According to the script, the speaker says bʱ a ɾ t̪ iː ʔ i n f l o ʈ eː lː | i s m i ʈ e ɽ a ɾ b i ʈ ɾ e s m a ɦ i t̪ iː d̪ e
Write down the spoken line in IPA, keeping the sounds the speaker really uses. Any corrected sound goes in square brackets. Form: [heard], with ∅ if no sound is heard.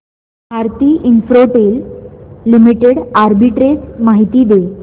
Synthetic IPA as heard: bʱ a ɾ t̪ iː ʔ i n f [ɾ] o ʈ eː lː | i [∅] m i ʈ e ɽ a ɾ b i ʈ ɾ e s m a ɦ i t̪ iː d̪ e